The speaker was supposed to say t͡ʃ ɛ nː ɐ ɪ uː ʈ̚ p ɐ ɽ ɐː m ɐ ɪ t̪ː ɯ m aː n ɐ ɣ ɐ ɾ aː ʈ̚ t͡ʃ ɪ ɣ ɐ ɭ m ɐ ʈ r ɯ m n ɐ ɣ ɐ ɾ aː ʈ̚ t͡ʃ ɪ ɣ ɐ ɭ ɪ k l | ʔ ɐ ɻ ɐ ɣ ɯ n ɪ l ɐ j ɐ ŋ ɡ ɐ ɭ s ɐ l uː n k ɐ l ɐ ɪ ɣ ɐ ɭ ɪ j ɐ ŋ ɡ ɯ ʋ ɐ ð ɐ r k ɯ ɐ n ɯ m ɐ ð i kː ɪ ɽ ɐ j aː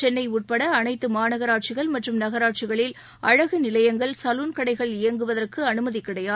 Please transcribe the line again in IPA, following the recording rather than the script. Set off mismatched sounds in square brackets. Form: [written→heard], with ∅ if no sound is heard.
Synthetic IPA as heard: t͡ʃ ɛ nː ɐ ɪ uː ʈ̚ p ɐ ɽ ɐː [m→n] ɐ ɪ t̪ː ɯ m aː n ɐ ɣ ɐ ɾ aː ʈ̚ t͡ʃ ɪ ɣ ɐ ɭ m ɐ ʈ r ɯ m n ɐ ɣ ɐ ɾ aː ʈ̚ t͡ʃ ɪ ɣ ɐ ɭ ɪ [k→∅] l | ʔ ɐ ɻ ɐ ɣ ɯ n ɪ l ɐ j ɐ ŋ ɡ ɐ ɭ s ɐ l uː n k ɐ [l→ɽ] ɐ ɪ ɣ ɐ ɭ ɪ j ɐ ŋ ɡ ɯ ʋ ɐ ð ɐ r k ɯ ɐ n ɯ m ɐ ð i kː ɪ ɽ ɐ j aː